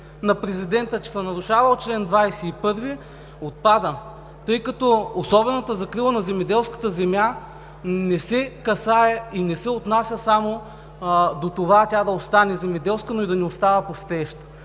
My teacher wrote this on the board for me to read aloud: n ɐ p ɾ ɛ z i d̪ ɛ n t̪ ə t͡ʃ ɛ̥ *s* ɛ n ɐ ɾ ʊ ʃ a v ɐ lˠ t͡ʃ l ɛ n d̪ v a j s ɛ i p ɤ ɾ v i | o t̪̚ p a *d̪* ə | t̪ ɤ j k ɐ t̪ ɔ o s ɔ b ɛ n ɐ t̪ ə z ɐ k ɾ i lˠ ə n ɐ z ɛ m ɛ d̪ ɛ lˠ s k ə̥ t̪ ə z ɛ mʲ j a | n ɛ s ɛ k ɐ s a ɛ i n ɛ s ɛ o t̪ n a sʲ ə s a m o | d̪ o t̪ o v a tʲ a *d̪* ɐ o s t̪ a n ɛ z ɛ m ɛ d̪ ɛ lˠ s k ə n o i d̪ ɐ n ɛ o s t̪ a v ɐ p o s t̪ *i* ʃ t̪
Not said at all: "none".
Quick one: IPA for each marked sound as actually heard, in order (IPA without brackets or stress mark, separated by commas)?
s, d̪, d̪, ɛ